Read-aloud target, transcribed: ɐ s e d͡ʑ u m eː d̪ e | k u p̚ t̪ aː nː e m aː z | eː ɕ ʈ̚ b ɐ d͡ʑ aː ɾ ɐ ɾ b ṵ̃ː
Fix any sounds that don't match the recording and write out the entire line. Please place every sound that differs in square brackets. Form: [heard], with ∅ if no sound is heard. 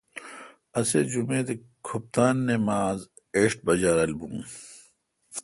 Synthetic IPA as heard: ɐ s e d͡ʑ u m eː d̪ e | [kʰ] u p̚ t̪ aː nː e m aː z | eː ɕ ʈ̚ b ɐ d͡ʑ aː ɾ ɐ [l] b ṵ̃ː